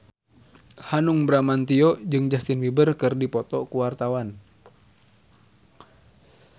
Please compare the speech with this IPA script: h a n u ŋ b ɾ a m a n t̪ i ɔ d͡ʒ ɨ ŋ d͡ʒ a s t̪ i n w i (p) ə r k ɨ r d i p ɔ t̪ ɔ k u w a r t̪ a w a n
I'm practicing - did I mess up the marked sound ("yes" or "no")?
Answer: yes